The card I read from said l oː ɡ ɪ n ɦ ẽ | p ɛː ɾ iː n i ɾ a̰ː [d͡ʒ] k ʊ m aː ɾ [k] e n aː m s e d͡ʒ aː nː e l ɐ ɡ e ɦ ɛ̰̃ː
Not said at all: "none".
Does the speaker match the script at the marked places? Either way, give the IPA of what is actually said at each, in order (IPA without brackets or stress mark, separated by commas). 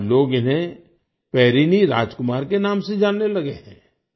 d͡ʒ, k